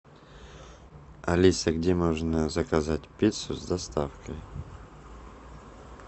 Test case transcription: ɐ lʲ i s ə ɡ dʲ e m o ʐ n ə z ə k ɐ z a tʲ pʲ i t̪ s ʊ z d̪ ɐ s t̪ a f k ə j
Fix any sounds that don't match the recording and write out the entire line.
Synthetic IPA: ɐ lʲ i s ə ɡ dʲ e m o ʐ n ə z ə k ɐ z a tʲ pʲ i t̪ s ʊ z d̪ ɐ s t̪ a f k ə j